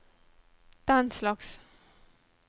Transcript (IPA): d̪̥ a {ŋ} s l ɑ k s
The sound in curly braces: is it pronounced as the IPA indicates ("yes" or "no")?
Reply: no